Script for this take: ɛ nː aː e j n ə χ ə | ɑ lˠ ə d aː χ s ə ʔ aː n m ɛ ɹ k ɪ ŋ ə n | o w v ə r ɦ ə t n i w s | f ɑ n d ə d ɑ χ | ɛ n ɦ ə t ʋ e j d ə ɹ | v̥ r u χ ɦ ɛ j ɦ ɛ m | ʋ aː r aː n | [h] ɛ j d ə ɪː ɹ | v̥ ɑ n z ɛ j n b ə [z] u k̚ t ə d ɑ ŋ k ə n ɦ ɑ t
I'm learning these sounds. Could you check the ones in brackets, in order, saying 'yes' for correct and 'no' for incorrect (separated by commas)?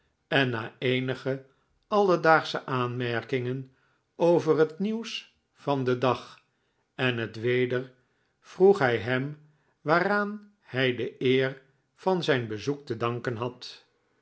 yes, yes